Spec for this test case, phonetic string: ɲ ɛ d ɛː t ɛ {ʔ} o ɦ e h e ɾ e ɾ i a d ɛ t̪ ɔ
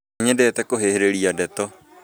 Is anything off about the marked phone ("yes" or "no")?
yes